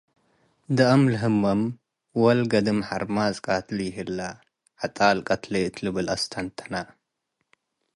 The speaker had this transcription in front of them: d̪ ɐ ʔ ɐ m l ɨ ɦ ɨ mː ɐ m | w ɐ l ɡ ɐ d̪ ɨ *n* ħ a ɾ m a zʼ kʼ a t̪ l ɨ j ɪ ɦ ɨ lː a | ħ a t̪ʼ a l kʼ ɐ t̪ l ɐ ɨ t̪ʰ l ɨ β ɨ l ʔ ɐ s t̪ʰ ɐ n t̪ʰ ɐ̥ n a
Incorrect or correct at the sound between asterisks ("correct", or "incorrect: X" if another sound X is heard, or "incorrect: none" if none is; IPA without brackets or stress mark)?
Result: incorrect: m